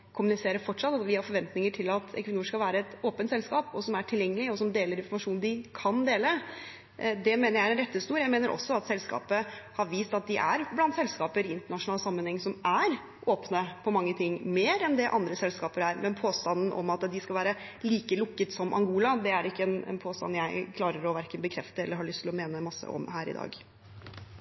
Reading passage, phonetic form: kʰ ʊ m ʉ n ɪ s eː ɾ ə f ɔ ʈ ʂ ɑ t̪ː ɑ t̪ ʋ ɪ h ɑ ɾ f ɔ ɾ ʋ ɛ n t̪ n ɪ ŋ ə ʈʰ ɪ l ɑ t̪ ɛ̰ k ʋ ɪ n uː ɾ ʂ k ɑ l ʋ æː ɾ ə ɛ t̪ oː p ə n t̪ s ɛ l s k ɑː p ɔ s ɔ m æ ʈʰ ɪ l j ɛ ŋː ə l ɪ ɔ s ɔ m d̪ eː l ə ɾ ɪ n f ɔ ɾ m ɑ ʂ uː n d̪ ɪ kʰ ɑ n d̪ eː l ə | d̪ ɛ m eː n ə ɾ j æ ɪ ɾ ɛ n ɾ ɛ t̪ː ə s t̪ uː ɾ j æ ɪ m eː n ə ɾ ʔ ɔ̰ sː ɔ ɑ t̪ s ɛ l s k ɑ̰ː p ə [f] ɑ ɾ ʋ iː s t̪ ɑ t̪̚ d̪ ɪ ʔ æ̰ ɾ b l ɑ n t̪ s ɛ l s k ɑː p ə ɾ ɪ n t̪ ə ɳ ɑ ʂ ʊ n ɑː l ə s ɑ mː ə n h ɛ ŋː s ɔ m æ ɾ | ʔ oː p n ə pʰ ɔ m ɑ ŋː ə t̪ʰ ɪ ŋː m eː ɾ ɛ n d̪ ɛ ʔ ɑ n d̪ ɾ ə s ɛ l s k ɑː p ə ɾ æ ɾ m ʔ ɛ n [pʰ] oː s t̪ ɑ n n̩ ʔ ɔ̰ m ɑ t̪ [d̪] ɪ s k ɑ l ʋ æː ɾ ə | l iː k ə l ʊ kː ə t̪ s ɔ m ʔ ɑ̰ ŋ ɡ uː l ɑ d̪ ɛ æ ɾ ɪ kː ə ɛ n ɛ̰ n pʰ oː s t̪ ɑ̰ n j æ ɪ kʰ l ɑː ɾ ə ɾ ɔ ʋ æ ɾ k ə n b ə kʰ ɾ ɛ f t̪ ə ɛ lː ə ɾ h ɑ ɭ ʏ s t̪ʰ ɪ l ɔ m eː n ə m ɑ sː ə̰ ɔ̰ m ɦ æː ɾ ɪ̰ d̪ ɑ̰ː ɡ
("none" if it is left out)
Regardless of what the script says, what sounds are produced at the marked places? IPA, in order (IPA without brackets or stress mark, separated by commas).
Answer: h, pʰ, d̪